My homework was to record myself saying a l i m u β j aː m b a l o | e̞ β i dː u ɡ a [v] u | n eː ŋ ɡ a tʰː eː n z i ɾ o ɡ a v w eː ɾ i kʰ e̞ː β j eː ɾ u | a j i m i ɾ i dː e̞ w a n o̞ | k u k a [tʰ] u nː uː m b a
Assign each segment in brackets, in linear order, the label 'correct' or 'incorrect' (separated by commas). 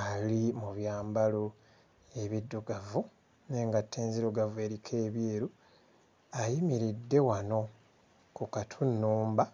correct, correct